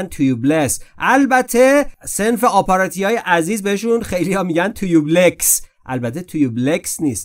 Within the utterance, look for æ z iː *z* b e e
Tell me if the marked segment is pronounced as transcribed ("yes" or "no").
yes